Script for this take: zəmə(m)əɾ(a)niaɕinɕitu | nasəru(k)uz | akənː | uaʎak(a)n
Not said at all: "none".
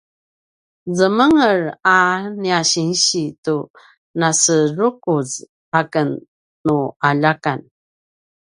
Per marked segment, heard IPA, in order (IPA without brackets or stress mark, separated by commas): ŋ, a, k, a